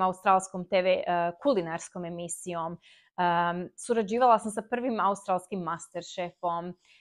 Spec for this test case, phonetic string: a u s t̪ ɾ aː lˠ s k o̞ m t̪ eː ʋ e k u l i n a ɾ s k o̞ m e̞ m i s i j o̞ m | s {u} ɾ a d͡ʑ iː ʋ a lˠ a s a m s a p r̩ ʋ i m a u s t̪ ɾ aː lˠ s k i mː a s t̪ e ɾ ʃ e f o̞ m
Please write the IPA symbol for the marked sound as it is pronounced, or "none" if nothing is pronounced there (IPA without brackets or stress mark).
u